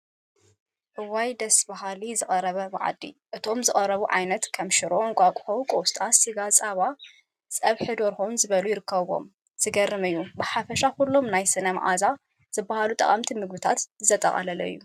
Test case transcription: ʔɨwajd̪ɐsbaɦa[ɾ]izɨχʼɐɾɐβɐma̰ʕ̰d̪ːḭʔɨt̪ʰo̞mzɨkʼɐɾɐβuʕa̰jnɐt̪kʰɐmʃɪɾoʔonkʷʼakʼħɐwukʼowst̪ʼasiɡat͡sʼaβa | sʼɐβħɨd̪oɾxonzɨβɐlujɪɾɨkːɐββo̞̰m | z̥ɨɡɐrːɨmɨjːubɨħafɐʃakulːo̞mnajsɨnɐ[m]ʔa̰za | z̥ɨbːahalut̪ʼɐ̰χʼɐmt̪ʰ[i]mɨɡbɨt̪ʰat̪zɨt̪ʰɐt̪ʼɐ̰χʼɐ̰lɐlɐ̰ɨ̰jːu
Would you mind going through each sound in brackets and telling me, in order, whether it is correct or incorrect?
incorrect: l, correct, correct

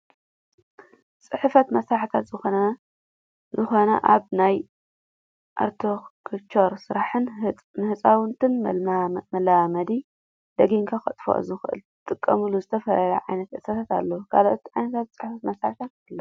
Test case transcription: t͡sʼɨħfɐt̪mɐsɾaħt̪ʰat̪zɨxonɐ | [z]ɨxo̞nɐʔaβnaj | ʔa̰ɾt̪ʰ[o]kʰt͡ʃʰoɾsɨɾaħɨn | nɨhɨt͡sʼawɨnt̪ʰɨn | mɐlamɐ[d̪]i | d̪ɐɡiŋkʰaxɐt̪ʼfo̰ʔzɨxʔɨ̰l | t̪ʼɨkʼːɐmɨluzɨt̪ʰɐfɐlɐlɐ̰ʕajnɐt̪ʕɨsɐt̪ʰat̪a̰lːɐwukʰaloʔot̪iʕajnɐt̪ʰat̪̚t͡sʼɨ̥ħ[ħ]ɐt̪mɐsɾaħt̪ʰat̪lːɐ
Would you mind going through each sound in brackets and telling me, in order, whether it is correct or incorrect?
correct, correct, correct, incorrect: f

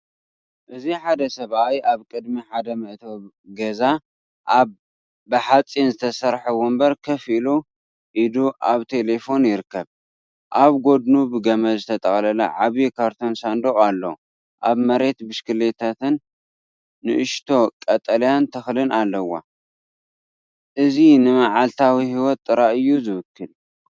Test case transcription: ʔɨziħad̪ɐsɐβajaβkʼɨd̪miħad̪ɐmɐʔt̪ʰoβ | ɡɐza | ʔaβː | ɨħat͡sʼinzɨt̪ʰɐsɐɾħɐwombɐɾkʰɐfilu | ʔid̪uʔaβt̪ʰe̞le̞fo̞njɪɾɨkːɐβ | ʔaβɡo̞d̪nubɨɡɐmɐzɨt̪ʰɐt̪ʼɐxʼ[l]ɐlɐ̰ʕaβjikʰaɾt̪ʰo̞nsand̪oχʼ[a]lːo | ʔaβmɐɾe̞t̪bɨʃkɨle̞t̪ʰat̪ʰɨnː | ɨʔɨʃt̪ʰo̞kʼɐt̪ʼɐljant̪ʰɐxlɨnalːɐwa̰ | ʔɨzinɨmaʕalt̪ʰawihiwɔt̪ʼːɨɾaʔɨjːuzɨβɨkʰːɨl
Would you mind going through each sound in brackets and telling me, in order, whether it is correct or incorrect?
correct, correct

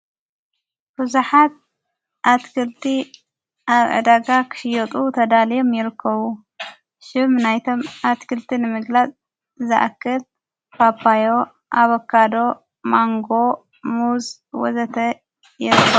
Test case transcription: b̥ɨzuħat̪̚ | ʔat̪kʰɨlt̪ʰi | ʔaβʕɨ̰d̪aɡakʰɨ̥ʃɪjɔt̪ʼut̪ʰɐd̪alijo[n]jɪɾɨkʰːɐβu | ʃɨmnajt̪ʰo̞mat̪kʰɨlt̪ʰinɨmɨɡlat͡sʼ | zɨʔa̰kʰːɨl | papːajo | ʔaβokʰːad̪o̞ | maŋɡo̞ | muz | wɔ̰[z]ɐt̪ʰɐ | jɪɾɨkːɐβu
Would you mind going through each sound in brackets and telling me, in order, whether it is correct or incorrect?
incorrect: m, correct

